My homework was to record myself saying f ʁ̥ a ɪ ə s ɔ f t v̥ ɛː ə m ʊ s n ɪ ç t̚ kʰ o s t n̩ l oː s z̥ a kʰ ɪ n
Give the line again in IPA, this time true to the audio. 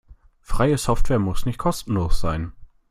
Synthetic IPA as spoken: f ʁ̥ a ɪ ə s ɔ f t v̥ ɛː ɐ m ʊ s n ɪ ç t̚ kʰ ɔ s t n̩ l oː s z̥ a ɪ n

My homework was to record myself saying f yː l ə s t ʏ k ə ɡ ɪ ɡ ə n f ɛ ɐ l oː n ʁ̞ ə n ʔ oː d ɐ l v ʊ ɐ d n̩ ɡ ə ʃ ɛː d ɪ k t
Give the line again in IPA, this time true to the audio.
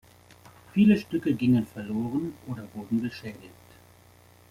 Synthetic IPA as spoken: f iː l ə ʃ t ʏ k ə ɡ ɪ ŋ ə n f ɛ ɐ l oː ʁ̞ ə n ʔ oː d ɐ v ʊ ɐ d n̩ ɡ ə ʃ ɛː d ɪ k t

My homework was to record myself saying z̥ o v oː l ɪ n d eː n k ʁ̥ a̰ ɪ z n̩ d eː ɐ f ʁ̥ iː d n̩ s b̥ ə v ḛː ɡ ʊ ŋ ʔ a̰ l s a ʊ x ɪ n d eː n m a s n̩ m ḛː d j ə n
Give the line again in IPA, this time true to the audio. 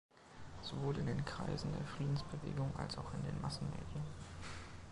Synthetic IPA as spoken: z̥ o v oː l ɪ n d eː n k ʁ̥ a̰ ɪ z n̩ d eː ɐ f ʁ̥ iː d n̩ s b̥ ə v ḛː ɡ ʊ ŋ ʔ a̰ l s a ʊ x ɪ n d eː n m a s n̩ m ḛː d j ə n

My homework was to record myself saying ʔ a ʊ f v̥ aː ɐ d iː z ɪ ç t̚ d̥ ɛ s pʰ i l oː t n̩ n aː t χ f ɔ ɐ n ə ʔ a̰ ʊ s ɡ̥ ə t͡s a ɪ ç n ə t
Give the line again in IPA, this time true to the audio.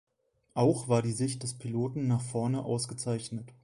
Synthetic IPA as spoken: ʔ a ʊ x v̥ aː ɐ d iː z ɪ ç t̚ d̥ ɛ s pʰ i l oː t n̩ n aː χ f ɔ ɐ n ə ʔ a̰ ʊ s ɡ̥ ə t͡s a ɪ ç n ə t

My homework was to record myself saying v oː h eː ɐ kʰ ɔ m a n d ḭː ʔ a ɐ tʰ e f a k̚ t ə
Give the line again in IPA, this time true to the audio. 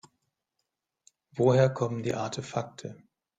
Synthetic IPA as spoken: v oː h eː ɐ kʰ ɔ m ə n d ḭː ʔ a ɐ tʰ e f a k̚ tʰ ə

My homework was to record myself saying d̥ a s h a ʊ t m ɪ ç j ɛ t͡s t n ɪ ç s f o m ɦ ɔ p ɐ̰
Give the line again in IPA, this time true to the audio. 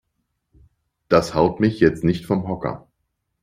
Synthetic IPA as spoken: d̥ a s h a ʊ t m ɪ ç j ɛ t͡s t n ɪ ç t f ɔ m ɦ ɔ k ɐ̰

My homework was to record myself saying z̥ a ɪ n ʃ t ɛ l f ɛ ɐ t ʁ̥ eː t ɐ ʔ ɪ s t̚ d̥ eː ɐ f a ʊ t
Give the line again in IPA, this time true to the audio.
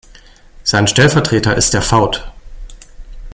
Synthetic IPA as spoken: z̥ a ɪ n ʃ t ɛ l f ɛ ɐ t ʁ̥ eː t ɐ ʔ ɪ s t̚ d̥ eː ɐ f a ʊ t

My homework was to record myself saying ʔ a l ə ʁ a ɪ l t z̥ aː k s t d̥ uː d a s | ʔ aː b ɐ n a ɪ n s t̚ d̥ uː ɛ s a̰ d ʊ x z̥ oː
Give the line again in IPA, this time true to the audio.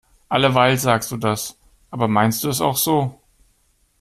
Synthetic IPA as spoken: ʔ a l ə v a ɪ l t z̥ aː k s t d̥ uː d a s | ʔ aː b ɐ m a ɪ n s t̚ d̥ uː ɛ s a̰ ʊ x z̥ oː

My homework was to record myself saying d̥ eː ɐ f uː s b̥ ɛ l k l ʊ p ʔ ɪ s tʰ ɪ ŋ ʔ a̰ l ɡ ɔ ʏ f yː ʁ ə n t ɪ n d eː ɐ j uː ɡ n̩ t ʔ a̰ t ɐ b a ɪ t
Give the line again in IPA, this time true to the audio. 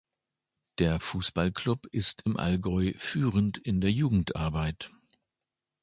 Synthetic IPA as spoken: d̥ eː ɐ f uː s b̥ a l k l ʊ p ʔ ɪ s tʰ ɪ m ʔ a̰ l ɡ ɔ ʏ f yː ʁ ə n t ɪ n d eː ɐ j uː ɡ ŋ̩ t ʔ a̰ ɐ b a ɪ t

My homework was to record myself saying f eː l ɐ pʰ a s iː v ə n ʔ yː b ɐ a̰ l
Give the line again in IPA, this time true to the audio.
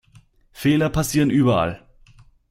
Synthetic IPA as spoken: f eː l ɐ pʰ a s iː ʁ ə n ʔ yː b ɐ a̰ l

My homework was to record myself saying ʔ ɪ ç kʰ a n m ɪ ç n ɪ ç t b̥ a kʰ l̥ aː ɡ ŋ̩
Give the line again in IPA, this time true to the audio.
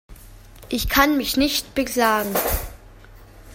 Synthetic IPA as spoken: ʔ ɪ ç kʰ a n m ɪ ç n ɪ ç t b̥ ə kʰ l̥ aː ɡ ŋ̩

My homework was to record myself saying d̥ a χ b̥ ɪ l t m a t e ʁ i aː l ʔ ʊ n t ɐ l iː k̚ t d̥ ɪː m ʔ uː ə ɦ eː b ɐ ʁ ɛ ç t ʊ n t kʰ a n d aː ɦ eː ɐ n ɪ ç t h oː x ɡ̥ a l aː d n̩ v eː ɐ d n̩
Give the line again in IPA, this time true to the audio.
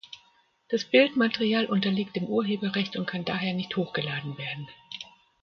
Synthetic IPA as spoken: d̥ a s b̥ ɪ l t m a t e ʁ i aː l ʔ ʊ n t ɐ l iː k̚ t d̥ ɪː m ʔ uː ɐ ɦ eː b ɐ ʁ ɛ ç t ʊ n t kʰ a n d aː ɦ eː ɐ n ɪ ç t h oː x ɡ̥ ə l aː d n̩ v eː ɐ d n̩

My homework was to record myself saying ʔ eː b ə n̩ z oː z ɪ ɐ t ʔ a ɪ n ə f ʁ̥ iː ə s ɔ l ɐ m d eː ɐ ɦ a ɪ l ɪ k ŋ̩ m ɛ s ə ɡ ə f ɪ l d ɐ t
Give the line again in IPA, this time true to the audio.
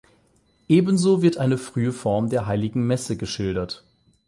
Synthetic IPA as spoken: ʔ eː b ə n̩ z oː v ɪ ɐ t ʔ a ɪ n ə f ʁ̥ yː ə f ɔ ɐ m d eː ɐ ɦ a ɪ l ɪ ɡ ŋ̩ m ɛ s ə ɡ ə ʃ ɪ l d ɐ t

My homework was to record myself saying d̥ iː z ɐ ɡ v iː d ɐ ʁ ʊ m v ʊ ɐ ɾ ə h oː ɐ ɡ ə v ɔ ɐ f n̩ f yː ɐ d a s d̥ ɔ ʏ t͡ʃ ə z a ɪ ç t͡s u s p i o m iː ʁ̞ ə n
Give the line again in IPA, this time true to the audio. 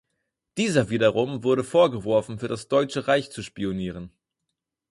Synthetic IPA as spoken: d̥ iː z ɐ v iː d ɐ ʁ ʊ m v ʊ ɐ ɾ ə f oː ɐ ɡ ə v ɔ ɐ f n̩ f yː ɐ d a s d̥ ɔ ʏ t͡ʃ ə ʁ a ɪ ç t͡s u ʃ p i o n iː ʁ̞ ə n

